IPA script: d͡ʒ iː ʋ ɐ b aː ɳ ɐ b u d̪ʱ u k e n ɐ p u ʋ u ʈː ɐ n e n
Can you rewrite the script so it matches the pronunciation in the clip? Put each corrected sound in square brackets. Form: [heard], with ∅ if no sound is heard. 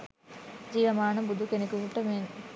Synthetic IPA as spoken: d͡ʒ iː ʋ ɐ [m] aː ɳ ɐ b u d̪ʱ u k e n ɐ [k] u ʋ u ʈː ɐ [m] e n